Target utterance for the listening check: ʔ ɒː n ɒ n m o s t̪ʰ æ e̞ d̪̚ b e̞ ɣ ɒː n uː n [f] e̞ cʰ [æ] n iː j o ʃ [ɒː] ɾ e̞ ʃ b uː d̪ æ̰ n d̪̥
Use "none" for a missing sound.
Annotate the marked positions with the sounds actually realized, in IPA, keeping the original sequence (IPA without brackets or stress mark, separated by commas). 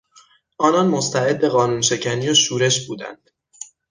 ʃ, æ, uː